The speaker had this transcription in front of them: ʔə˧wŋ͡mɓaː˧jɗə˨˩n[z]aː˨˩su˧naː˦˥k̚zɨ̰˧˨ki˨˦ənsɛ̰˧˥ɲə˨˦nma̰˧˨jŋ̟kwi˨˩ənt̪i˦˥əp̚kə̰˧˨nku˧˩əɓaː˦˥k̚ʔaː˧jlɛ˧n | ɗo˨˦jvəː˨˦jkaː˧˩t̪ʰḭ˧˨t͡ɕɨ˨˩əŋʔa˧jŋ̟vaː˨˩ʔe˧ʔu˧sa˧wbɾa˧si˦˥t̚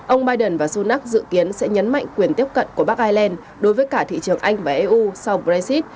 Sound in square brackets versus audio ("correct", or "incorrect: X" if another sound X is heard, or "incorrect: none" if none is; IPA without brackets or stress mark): incorrect: v